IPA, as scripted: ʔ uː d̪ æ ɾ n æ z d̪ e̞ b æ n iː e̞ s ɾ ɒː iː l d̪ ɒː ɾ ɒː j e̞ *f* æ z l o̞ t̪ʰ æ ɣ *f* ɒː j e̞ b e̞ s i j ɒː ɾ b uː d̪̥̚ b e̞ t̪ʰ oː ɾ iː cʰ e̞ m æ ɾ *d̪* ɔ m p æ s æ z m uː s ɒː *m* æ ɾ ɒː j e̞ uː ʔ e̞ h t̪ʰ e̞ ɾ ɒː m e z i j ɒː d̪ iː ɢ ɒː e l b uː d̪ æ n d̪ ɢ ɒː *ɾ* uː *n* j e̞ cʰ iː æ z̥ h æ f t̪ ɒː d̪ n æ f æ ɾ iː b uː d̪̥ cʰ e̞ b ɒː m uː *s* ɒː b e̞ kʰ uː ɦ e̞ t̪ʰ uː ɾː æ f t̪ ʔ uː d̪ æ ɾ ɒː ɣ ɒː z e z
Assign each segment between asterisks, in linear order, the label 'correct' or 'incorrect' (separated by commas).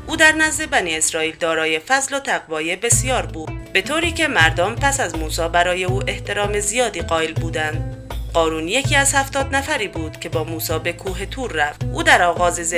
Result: correct, incorrect, correct, incorrect, correct, correct, correct